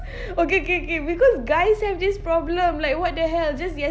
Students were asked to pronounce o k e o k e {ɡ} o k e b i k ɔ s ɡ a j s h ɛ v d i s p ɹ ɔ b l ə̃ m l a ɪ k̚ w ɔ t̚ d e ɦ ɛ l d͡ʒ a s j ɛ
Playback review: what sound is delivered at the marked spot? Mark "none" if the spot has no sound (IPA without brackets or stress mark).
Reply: none